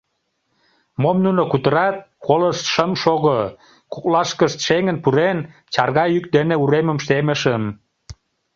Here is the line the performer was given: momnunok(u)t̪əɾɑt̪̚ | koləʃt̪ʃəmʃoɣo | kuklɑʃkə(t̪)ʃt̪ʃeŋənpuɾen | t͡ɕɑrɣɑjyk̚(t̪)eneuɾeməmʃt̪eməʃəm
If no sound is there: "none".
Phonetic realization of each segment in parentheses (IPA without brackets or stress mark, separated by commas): u, none, d̪